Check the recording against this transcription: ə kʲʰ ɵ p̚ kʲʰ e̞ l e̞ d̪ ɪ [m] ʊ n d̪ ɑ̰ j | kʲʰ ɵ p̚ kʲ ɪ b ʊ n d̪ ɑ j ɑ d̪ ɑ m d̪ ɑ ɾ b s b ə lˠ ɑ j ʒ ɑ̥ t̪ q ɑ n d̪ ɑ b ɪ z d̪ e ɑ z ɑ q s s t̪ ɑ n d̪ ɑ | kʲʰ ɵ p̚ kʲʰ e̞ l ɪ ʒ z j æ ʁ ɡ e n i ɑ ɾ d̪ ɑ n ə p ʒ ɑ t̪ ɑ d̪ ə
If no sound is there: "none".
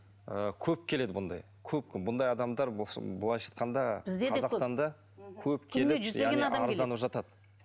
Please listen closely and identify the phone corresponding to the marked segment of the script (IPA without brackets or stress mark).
b